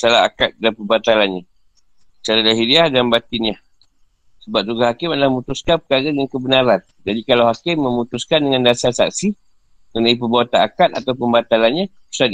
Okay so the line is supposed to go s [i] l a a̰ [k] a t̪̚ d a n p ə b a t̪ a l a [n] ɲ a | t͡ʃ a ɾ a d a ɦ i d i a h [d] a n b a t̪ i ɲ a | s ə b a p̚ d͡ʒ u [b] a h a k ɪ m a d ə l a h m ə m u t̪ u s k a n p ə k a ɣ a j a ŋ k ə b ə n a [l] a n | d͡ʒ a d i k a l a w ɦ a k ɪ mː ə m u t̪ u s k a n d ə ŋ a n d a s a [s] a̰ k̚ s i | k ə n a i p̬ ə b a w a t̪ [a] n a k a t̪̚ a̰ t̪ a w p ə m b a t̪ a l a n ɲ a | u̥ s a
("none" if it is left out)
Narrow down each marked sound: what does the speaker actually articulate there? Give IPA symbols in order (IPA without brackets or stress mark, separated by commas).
a, k, n, d, ɡ, ɾ, s, a